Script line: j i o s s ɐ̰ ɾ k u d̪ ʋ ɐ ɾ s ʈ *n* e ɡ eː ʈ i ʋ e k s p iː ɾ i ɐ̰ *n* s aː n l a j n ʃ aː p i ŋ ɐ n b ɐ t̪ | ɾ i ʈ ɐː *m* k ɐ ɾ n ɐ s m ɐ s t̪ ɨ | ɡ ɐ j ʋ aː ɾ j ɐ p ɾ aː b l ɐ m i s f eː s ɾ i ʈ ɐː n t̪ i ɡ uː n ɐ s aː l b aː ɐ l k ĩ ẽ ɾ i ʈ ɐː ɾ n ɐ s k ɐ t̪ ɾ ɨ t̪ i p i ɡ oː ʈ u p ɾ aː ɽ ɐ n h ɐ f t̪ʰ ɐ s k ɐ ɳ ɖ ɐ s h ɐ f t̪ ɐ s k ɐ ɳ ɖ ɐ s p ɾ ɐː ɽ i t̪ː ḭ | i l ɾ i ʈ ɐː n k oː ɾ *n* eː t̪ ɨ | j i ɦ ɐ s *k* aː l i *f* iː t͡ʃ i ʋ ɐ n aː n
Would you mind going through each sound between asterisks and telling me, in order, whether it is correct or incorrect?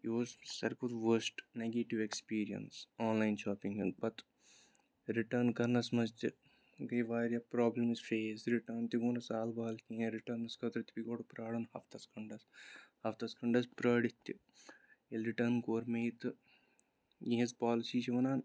correct, correct, incorrect, incorrect, incorrect, incorrect

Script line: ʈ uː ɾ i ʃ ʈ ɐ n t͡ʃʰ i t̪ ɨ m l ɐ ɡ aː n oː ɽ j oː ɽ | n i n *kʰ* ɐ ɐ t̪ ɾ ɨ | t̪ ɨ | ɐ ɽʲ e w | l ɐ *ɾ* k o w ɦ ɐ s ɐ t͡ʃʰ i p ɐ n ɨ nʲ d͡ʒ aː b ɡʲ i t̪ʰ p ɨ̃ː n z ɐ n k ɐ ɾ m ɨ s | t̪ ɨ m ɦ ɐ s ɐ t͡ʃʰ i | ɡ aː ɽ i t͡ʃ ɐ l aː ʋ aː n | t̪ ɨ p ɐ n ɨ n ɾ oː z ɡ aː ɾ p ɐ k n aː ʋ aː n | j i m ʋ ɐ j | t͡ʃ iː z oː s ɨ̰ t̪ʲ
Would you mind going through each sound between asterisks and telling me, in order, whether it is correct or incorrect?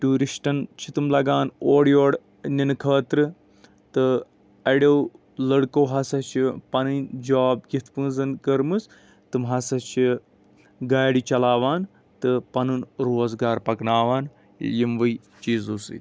correct, incorrect

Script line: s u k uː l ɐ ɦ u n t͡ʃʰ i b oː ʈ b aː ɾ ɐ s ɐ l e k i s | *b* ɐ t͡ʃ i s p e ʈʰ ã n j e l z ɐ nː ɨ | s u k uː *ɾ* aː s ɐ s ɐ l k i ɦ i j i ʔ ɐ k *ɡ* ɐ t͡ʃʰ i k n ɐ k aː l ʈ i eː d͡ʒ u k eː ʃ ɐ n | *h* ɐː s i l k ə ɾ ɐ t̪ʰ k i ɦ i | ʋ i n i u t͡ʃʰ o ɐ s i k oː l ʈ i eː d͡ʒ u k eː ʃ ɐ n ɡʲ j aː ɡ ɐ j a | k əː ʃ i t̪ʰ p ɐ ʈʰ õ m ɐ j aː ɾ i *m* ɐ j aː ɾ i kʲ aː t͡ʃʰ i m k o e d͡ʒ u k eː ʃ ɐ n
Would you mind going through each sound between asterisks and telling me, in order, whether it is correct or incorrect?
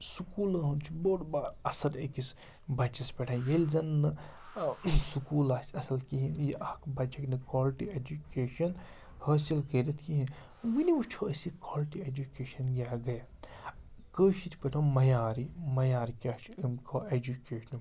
correct, incorrect, incorrect, correct, correct

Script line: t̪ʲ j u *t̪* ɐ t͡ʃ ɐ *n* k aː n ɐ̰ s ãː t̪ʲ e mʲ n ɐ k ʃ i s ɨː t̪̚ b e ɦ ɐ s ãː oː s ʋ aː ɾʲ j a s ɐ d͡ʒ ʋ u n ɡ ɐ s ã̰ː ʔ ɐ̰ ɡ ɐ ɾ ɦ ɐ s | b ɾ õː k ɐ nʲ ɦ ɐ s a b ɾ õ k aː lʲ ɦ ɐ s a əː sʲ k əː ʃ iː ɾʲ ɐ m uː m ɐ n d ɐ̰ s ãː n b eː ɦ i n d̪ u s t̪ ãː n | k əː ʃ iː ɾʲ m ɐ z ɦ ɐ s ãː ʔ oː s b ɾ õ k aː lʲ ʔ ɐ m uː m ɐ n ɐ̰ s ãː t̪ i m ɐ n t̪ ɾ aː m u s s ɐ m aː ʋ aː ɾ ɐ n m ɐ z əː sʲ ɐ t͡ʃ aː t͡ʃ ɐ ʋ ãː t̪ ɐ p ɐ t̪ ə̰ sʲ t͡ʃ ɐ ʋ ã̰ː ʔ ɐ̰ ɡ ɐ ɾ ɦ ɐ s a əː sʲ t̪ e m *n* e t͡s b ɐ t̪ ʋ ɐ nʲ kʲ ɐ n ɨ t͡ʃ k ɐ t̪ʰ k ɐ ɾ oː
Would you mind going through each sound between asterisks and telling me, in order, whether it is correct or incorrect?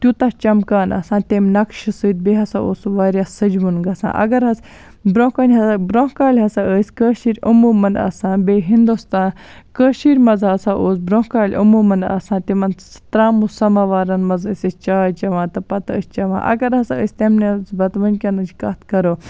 correct, incorrect, correct

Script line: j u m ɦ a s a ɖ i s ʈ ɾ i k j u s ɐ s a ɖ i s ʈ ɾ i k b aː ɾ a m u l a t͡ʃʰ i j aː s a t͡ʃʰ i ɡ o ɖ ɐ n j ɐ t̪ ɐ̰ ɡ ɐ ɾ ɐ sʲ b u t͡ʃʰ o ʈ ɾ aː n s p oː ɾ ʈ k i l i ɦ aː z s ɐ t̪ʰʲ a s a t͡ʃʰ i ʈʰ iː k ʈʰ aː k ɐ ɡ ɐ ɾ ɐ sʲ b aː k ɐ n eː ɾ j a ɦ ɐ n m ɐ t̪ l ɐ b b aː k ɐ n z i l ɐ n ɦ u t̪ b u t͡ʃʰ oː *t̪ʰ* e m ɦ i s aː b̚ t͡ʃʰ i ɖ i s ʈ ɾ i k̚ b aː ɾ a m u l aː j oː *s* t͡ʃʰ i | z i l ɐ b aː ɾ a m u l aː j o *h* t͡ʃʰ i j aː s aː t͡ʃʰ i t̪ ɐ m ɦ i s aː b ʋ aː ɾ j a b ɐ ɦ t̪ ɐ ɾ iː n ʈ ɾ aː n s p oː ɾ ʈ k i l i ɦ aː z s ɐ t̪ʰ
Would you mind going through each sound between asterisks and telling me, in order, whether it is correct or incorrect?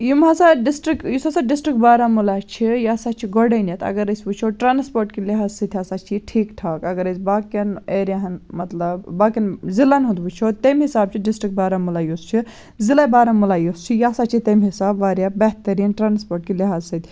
incorrect, correct, incorrect

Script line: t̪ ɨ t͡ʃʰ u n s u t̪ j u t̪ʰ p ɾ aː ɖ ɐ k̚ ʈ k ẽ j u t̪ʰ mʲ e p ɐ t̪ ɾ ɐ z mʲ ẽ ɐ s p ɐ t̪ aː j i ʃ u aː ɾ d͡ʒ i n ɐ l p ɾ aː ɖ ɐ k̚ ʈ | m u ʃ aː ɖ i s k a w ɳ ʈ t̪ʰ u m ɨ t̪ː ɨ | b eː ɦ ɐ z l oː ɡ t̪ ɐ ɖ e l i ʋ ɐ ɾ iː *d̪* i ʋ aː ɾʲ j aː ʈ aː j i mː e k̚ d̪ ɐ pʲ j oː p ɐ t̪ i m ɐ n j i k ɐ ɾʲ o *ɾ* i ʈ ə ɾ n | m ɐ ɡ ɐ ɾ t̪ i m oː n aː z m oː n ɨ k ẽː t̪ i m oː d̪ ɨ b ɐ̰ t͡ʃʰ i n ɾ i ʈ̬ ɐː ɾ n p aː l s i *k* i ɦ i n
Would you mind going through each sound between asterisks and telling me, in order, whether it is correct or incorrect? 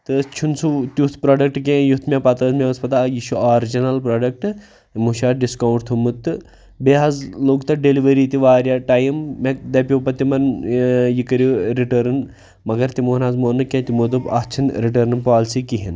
incorrect, correct, correct

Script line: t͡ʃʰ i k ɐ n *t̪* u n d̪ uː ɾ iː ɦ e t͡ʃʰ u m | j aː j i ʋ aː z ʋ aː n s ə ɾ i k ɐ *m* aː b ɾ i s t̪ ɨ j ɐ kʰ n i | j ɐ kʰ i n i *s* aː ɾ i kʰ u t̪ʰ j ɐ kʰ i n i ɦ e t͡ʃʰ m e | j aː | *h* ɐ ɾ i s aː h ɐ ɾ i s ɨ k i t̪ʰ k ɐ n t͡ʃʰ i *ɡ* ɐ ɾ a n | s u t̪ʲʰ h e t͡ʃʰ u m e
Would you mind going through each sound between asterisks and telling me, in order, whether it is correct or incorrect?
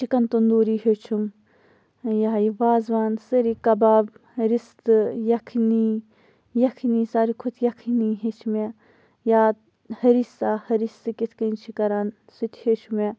correct, incorrect, correct, correct, incorrect

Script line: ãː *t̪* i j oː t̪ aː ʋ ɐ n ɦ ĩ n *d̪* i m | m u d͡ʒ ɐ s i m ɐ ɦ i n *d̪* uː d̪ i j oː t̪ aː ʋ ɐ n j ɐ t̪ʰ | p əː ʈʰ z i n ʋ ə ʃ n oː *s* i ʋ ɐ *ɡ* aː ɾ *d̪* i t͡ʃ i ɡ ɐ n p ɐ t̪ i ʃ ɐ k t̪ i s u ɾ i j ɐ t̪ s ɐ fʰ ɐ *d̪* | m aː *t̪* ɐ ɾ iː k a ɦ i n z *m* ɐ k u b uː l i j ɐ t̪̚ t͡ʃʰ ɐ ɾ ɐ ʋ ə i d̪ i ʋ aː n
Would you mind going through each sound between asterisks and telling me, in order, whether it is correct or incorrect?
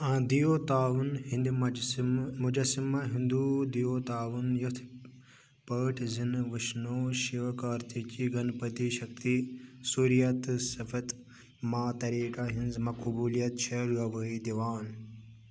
incorrect, correct, correct, incorrect, incorrect, incorrect, incorrect, correct, correct

